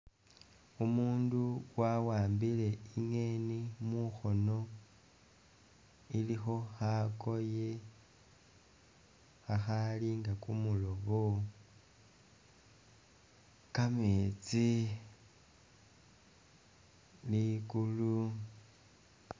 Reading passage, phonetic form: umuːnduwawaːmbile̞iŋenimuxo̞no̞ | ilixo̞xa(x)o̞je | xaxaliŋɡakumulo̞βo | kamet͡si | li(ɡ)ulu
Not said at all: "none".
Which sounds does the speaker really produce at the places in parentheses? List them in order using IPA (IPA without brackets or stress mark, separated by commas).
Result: k, k